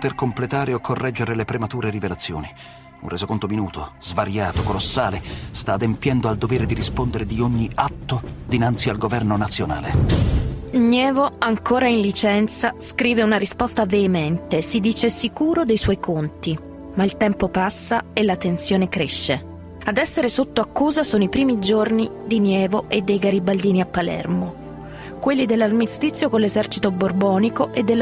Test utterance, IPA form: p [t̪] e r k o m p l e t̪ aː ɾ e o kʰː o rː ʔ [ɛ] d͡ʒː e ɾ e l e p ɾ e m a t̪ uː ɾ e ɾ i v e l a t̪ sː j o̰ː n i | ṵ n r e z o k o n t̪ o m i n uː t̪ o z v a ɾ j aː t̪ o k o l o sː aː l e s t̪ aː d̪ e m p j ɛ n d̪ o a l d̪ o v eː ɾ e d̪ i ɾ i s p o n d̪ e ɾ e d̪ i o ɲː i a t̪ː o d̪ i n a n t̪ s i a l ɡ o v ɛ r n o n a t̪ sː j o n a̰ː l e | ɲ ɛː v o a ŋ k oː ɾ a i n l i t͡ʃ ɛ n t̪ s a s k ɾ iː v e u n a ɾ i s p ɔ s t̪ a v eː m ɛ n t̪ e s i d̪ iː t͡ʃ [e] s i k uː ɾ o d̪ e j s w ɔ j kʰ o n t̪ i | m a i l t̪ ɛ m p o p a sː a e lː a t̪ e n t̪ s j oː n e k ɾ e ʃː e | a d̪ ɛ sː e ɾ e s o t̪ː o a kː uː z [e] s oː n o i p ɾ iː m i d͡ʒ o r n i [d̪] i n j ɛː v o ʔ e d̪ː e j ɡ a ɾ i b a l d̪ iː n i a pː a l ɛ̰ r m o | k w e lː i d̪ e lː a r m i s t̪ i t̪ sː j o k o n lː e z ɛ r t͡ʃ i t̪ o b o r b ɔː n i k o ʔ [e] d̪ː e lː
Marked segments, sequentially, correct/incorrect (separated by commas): correct, correct, correct, incorrect, correct, correct